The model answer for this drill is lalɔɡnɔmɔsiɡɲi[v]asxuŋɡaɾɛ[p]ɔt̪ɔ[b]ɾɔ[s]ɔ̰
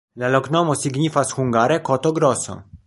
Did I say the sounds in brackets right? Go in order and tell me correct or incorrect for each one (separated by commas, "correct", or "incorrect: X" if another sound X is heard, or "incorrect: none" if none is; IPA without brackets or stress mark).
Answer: incorrect: f, incorrect: k, incorrect: ɡ, correct